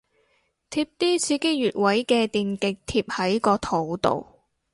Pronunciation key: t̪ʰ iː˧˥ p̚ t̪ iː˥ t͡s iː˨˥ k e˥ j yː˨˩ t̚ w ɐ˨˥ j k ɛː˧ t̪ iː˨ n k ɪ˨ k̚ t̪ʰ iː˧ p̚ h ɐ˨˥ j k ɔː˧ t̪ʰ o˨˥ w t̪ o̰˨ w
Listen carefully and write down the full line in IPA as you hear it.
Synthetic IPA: t̪ʰ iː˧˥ p̚ t̪ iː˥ t͡sʰ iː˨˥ k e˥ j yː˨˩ t̚ w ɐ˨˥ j k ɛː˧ t̪ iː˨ n k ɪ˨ k̚ t̪ʰ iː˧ p̚ h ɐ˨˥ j k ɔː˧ t̪ʰ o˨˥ w t̪ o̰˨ w